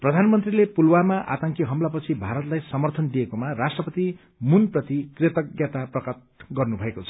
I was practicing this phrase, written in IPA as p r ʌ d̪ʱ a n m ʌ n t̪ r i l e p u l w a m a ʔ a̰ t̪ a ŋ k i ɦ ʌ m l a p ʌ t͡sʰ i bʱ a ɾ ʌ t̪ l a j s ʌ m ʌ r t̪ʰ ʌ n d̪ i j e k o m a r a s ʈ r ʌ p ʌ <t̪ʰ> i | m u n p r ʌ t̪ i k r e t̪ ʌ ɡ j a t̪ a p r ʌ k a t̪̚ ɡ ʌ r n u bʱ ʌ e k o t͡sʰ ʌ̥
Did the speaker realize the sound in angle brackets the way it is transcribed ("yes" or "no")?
no